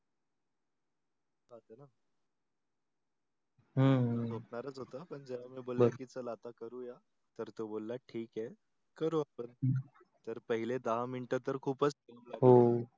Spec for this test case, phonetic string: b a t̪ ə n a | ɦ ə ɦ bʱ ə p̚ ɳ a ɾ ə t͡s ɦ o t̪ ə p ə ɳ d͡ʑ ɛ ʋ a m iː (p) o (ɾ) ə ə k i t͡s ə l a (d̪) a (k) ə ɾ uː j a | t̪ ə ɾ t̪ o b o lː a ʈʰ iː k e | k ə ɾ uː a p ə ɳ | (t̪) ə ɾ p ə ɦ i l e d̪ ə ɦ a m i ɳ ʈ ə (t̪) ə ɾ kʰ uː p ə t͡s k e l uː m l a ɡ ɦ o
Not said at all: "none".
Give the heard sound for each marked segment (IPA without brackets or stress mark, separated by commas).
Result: b, l, t̪, k, t̪, t̪